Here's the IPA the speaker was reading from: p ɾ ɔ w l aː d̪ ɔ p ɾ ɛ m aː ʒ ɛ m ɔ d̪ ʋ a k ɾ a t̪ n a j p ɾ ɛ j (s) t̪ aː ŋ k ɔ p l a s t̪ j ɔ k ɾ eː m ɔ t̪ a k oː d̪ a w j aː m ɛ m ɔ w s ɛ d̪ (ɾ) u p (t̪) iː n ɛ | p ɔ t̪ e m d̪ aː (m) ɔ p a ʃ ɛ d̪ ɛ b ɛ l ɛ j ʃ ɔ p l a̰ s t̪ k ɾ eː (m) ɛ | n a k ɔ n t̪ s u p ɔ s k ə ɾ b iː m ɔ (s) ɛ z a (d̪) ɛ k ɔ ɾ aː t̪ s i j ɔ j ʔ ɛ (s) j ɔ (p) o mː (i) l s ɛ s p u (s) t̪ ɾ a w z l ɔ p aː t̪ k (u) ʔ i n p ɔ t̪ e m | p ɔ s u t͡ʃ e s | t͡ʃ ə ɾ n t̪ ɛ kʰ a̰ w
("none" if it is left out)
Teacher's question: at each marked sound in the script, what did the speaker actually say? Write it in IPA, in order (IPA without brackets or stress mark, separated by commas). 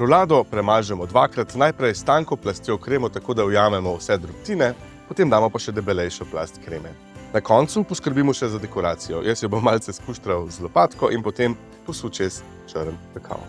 s, ɾ, t̪, m, m, ʃ, d̪, s, b, a, ʃ, ɔ